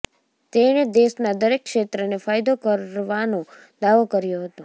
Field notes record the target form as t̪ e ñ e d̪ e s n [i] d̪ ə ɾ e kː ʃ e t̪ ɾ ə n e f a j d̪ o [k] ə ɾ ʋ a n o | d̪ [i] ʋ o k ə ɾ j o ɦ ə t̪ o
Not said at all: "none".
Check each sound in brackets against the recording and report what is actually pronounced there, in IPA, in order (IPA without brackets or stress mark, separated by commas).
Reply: a, k, a